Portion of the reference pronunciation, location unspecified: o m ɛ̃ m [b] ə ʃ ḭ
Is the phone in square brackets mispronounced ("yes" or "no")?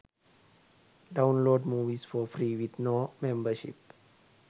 no